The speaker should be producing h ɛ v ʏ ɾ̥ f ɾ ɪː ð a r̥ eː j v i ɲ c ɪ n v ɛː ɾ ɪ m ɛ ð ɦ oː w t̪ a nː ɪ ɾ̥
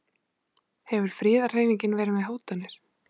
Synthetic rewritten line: h ɛ v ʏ ɾ̥ f ɾ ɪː ð a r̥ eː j v i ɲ c ɪ n v ɛː ɾ ɪ m ɛ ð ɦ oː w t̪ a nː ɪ ɾ̥